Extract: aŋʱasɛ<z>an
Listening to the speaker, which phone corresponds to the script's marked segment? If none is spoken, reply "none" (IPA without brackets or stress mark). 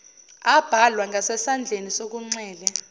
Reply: s